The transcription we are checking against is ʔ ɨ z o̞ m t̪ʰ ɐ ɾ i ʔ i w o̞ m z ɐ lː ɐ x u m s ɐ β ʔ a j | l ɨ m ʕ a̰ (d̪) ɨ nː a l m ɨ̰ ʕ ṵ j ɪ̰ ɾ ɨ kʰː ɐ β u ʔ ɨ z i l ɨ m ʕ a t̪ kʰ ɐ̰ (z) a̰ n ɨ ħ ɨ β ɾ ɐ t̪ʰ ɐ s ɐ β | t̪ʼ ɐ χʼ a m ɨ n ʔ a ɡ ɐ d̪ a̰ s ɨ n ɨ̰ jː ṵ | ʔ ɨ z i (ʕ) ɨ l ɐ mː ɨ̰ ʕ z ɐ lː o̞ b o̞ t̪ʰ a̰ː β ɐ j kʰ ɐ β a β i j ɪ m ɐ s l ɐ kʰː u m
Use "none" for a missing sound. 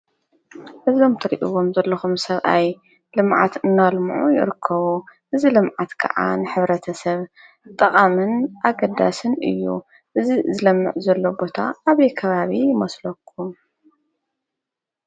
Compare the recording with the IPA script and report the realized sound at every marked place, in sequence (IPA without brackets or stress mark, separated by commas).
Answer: t̪, ʕ, z